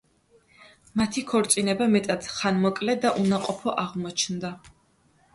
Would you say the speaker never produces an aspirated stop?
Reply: no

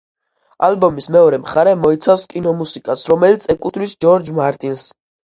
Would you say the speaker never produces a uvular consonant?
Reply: no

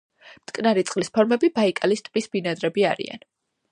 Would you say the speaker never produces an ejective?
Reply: no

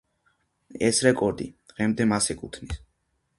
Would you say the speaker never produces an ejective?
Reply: no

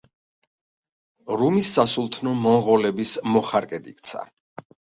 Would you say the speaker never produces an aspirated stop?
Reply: no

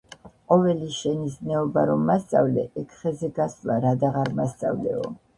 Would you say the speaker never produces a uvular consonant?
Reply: no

